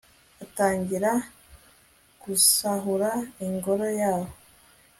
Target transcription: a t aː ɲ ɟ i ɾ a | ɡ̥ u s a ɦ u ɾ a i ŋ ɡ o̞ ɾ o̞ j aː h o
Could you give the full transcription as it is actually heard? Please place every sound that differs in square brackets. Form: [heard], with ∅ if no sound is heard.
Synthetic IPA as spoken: a t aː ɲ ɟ i ɾ a | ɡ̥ u s a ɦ u ɾ a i ŋ ɡ o̞ ɾ o̞ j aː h o